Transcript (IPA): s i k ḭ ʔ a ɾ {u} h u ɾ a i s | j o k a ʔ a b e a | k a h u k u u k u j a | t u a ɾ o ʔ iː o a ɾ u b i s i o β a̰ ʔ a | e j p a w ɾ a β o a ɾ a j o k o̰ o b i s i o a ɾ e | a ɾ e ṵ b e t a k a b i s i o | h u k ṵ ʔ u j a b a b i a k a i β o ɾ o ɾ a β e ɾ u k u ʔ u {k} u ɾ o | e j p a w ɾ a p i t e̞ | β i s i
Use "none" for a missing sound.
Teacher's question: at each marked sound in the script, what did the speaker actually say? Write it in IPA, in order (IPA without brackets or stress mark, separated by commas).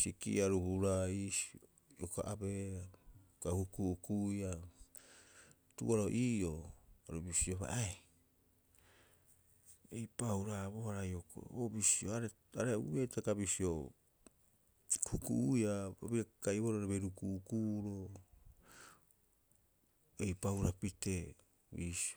u, k